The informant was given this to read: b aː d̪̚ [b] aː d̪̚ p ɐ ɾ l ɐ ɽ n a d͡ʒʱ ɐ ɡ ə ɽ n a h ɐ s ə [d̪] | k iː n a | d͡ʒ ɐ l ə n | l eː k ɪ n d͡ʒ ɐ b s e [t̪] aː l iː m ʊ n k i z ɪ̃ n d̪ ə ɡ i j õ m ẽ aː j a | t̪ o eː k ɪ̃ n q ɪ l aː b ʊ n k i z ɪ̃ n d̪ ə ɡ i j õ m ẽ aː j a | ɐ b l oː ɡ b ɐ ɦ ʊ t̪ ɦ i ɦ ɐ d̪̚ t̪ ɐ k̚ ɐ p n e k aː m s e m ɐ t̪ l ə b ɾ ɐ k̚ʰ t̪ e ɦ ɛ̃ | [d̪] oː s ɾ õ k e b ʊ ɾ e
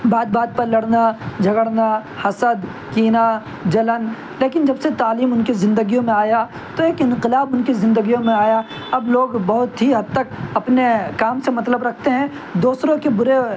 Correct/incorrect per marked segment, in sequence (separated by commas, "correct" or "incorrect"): correct, correct, correct, correct